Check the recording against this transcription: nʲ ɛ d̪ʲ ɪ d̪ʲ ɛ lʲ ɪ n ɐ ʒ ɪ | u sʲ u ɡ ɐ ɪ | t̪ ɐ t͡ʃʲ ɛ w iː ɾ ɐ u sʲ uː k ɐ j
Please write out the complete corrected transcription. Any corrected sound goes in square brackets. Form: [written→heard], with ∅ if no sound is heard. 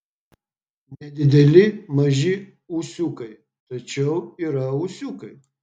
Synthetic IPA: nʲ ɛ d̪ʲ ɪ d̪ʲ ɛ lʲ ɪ [n→m] ɐ ʒ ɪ | u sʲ u [ɡ→k] ɐ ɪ | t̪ ɐ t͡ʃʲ ɛ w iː ɾ ɐ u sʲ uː k ɐ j